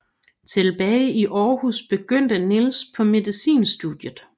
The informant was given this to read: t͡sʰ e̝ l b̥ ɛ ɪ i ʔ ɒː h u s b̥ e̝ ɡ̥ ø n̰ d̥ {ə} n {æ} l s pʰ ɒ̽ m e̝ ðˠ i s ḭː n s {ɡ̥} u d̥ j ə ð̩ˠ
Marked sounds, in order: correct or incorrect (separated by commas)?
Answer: correct, incorrect, incorrect